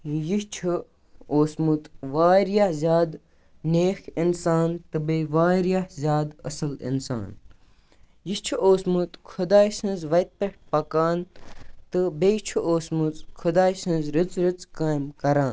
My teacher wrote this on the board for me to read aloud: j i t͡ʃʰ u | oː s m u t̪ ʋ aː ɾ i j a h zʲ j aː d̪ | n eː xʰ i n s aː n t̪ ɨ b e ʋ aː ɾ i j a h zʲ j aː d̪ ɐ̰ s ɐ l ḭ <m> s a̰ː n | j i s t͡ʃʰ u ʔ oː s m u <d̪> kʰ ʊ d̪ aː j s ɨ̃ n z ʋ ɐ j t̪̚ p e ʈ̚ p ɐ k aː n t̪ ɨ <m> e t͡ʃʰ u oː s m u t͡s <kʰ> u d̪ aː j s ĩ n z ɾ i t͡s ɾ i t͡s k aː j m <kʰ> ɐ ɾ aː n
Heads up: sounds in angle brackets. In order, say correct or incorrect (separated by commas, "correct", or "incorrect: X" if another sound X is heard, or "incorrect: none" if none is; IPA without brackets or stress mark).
incorrect: n, incorrect: t̪, incorrect: b, correct, incorrect: k